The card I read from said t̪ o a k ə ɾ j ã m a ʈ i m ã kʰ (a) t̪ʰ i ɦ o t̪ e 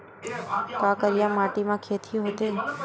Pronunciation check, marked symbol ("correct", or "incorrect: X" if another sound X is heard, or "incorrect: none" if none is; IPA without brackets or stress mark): incorrect: e